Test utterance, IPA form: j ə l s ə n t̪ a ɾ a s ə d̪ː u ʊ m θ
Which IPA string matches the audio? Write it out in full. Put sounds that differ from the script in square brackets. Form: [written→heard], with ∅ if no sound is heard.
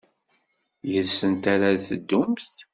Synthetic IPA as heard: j ə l s ə n t̪ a ɾ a [s→θ] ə d̪ː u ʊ m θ